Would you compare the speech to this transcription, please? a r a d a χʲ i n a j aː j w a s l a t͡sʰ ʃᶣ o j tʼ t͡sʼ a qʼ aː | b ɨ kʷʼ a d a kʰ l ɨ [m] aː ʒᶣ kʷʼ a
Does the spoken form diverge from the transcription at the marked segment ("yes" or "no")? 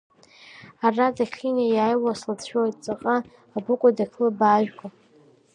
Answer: yes